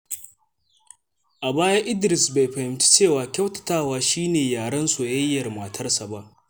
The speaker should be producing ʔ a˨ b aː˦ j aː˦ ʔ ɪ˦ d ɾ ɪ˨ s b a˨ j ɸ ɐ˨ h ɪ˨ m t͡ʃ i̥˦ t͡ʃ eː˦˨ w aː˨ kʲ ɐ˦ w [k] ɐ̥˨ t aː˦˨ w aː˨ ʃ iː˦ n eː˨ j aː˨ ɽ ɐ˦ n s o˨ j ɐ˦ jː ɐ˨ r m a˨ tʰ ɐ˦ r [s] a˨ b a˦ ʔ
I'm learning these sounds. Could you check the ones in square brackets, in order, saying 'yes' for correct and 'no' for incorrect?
no, yes

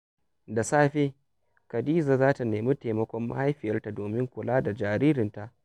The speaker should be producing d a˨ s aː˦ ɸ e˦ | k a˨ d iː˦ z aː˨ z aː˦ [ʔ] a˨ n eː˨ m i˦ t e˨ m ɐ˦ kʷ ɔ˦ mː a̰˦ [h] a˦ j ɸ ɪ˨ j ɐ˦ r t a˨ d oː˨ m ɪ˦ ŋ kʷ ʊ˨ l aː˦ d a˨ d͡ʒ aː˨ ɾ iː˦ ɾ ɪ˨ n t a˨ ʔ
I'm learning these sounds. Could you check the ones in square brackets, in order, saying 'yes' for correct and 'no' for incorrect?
no, yes

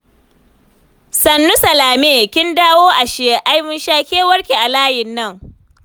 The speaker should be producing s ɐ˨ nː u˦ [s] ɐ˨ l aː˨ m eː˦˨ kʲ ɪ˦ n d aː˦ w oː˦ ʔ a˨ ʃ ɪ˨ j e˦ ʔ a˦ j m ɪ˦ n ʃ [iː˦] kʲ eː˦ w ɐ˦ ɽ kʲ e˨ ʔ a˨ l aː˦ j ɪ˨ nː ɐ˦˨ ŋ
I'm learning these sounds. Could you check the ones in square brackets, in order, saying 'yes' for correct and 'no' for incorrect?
yes, no

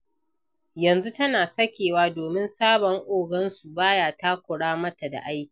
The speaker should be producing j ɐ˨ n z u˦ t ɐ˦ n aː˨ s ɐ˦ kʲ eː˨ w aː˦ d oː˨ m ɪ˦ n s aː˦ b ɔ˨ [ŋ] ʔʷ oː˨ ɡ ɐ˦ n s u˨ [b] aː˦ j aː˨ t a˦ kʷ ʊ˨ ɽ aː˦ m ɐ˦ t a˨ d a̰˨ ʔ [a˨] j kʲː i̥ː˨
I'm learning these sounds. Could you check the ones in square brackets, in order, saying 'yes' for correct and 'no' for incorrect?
yes, yes, no

